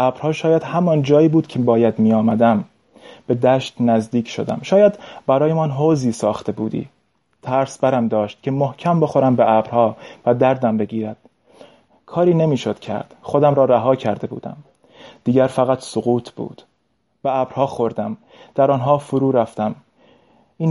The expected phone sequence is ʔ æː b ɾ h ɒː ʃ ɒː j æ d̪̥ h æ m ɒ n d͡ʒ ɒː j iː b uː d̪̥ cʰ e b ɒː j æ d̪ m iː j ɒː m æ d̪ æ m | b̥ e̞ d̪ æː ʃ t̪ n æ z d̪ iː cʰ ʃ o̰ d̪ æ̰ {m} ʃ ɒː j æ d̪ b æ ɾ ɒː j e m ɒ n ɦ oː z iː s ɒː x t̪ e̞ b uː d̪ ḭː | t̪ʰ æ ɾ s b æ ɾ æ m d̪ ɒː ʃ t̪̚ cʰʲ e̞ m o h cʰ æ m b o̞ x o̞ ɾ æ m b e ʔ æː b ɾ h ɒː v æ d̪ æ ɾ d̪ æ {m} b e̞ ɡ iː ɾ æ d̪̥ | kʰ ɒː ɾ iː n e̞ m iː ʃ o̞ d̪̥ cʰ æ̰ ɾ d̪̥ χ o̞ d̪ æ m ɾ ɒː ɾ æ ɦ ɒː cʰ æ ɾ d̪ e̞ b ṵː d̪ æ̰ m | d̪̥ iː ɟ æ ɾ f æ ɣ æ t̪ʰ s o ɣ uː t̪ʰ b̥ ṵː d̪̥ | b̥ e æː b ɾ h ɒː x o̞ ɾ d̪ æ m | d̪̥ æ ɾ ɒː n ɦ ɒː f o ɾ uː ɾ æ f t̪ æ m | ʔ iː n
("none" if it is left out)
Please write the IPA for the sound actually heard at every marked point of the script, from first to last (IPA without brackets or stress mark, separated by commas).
m, m